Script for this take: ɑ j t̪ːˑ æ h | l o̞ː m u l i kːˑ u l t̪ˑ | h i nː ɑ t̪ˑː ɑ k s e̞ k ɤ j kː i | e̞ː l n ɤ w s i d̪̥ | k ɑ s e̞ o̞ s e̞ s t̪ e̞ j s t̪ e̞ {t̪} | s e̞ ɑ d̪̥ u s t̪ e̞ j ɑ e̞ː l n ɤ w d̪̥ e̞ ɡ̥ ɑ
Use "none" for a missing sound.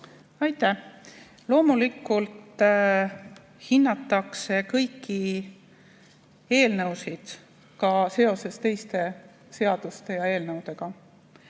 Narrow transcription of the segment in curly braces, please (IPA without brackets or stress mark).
none